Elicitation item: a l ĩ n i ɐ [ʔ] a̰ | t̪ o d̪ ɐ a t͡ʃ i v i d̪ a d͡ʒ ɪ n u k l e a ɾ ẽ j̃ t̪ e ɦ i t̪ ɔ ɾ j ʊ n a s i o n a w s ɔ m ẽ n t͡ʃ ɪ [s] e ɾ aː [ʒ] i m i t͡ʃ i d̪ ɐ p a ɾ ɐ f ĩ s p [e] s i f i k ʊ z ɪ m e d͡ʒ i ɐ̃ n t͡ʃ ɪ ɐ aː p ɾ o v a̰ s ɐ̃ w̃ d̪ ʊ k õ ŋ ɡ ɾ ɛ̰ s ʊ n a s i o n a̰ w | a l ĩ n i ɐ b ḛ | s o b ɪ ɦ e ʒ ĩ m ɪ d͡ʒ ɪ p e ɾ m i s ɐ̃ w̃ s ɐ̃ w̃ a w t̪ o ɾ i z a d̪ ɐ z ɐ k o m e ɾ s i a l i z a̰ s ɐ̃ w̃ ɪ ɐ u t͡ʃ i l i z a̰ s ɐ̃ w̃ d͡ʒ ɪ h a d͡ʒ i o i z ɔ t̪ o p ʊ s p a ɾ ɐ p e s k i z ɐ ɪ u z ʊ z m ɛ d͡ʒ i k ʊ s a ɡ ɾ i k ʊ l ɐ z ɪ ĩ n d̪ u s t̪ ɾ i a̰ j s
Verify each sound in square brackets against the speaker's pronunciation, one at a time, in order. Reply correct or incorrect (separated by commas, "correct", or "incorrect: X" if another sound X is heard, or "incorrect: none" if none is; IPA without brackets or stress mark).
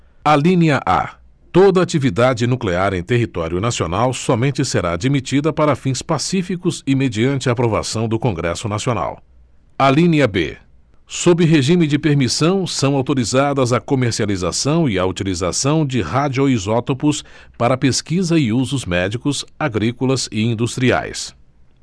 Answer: correct, correct, incorrect: d͡ʒ, incorrect: a